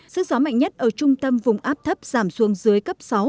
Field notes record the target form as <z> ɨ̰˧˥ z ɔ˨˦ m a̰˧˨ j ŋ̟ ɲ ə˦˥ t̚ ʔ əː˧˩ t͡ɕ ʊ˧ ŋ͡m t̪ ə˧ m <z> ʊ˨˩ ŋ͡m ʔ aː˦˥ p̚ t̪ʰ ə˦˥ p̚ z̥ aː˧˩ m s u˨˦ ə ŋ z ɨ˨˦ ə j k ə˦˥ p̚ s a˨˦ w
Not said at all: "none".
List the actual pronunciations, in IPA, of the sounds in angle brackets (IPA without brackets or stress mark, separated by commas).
s, v